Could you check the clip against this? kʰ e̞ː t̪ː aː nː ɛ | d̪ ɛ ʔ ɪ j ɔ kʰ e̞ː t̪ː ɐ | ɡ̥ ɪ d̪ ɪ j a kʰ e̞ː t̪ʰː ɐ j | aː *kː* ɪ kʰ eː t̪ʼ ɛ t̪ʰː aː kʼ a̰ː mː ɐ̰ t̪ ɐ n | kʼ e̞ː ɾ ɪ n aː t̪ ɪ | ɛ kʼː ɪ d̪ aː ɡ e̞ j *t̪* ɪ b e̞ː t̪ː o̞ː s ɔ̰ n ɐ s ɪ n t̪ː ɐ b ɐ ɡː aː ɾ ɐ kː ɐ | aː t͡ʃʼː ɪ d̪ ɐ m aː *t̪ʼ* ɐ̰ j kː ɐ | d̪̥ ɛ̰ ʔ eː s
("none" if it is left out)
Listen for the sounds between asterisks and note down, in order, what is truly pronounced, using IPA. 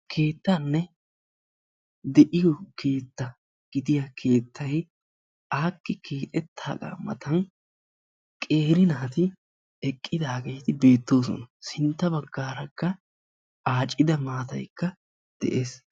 kː, t̪, t̪

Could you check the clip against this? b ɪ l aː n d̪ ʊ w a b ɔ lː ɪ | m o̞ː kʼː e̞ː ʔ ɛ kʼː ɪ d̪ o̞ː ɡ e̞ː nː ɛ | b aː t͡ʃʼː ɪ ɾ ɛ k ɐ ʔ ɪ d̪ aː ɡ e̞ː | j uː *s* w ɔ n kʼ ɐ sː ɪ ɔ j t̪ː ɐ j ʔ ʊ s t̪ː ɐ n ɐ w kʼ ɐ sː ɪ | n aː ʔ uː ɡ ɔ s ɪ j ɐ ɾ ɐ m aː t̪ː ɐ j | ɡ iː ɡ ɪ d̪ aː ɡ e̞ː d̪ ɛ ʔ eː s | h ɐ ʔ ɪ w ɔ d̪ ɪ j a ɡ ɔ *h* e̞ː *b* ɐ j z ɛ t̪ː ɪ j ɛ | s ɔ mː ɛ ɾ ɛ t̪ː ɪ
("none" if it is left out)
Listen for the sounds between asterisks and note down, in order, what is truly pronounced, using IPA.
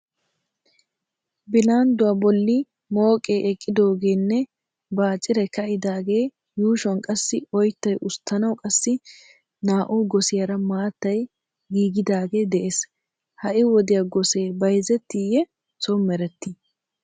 ʃ, s, b

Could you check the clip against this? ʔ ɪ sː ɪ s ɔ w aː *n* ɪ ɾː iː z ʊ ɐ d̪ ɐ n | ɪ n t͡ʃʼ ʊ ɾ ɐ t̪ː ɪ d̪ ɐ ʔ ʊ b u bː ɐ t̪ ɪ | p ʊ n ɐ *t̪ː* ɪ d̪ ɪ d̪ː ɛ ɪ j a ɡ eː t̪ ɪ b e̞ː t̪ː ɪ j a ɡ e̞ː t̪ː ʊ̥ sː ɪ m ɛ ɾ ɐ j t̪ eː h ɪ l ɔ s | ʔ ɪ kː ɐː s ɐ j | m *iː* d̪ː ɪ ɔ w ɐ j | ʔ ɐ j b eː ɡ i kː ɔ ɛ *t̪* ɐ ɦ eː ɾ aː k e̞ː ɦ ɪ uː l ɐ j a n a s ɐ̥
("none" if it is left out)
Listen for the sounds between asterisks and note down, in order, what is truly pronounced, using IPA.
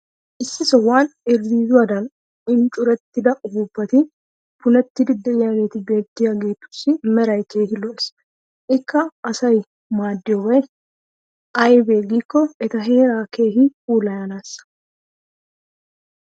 n, t̪ː, aː, t̪

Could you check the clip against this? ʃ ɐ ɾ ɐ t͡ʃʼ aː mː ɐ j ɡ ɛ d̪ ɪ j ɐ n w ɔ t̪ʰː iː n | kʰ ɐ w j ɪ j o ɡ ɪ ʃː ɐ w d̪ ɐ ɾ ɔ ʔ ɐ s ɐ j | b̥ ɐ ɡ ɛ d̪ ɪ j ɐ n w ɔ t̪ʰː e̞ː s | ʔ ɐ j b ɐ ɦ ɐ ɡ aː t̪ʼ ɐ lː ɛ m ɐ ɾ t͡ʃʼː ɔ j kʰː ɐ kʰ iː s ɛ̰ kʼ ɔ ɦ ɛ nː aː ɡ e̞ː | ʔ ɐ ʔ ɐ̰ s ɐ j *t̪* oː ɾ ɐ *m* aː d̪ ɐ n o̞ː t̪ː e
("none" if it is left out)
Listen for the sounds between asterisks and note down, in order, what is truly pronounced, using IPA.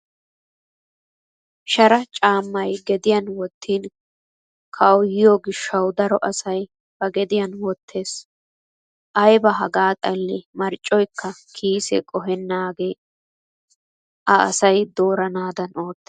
d̪, n

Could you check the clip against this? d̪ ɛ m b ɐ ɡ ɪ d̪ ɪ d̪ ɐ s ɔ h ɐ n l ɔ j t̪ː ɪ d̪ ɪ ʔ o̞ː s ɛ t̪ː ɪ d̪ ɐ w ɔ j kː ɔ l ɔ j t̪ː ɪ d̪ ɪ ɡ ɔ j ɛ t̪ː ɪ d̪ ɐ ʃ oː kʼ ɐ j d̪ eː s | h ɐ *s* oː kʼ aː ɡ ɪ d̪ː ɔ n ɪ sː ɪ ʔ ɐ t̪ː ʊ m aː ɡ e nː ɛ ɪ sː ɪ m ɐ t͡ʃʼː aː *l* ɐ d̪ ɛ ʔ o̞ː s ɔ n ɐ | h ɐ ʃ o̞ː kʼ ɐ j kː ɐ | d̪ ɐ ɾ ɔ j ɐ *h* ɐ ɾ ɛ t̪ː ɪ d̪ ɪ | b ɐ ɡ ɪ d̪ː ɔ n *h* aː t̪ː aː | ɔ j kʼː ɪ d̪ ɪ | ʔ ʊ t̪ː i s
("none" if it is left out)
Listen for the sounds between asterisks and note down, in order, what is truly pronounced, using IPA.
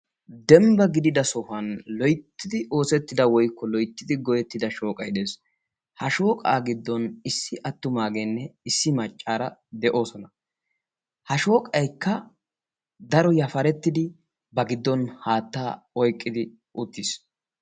ʃ, ɾ, f, h

